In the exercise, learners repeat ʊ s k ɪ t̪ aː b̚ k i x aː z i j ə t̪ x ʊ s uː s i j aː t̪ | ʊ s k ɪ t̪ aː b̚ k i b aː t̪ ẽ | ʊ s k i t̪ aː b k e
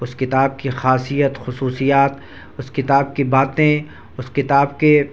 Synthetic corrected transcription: ʊ s k ɪ t̪ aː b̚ k i x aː s i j ə t̪ x ʊ s uː s i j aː t̪ | ʊ s k ɪ t̪ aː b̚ k i b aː t̪ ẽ | ʊ s k ɪ t̪ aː b k e